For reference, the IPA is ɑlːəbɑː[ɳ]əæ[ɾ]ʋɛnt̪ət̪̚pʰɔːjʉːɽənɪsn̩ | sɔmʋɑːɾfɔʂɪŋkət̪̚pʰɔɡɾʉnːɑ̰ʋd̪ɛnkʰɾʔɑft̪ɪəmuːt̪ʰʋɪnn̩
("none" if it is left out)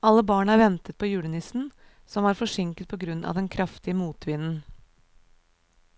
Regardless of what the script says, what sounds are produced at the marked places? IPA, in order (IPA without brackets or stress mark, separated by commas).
ɳ, ɾ